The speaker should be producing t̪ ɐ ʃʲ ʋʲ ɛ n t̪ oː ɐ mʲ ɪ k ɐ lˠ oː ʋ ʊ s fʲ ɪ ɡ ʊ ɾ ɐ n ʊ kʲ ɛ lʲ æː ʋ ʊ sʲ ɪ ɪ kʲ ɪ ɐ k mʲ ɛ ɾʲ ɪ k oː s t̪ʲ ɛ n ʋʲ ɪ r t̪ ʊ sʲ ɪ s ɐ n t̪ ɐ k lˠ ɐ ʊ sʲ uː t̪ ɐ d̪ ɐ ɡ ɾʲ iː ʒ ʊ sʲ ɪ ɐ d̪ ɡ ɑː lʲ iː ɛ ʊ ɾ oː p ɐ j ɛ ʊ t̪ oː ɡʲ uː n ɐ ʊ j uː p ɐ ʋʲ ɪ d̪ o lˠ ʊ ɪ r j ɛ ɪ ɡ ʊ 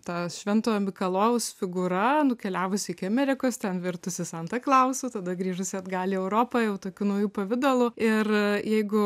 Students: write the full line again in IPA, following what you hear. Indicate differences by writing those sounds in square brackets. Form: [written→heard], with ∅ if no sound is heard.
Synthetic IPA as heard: t̪ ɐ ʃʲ ʋʲ ɛ n t̪ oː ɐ mʲ ɪ k ɐ lˠ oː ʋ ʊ s fʲ ɪ ɡ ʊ ɾ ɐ n ʊ kʲ ɛ lʲ æː ʋ ʊ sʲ ɪ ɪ kʲ ɪ ɐ [k→∅] mʲ ɛ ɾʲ ɪ k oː s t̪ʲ ɛ n ʋʲ ɪ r t̪ ʊ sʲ ɪ s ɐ n t̪ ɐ k lˠ ɐ ʊ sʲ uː t̪ ɐ d̪ ɐ ɡ ɾʲ iː ʒ ʊ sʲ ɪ ɐ d̪ ɡ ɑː lʲ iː ɛ ʊ ɾ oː p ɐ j ɛ ʊ t̪ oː [ɡʲ→kʲ] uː n ɐ ʊ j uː p ɐ ʋʲ ɪ d̪ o lˠ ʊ ɪ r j ɛ ɪ ɡ ʊ